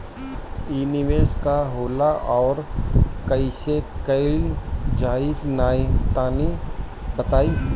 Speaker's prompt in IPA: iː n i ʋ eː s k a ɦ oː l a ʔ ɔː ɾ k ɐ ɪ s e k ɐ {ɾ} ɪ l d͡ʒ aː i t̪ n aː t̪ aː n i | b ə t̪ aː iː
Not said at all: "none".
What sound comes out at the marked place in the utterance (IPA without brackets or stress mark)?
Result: none